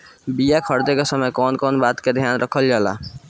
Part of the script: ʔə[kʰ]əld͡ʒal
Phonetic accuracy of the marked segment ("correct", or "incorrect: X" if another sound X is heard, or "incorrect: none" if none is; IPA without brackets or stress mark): correct